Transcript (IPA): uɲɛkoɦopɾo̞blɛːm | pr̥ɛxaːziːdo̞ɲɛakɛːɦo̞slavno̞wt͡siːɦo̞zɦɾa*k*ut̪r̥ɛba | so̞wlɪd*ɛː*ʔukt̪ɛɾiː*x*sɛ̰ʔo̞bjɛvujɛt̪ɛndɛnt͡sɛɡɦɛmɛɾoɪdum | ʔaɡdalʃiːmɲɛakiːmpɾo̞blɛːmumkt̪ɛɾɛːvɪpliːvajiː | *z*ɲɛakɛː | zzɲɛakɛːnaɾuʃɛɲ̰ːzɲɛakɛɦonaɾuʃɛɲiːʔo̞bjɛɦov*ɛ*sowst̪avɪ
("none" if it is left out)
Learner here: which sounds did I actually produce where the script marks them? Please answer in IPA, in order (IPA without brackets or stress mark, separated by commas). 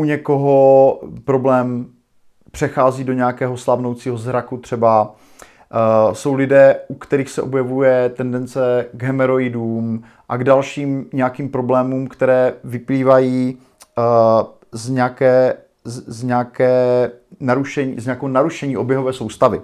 k, ɛː, x, z, ɛː